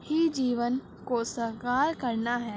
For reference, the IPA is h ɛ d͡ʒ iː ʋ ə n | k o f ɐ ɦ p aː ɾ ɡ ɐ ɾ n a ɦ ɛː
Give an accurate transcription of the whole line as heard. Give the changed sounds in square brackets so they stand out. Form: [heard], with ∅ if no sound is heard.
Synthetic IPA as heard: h [i] d͡ʒ iː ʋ ə n | k o [s] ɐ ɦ [k] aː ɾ [k] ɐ ɾ n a ɦ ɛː